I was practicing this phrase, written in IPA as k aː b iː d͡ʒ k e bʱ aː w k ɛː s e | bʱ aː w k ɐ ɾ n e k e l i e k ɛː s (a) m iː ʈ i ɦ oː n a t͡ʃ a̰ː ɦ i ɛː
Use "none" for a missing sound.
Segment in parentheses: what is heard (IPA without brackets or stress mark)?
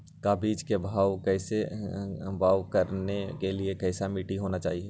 a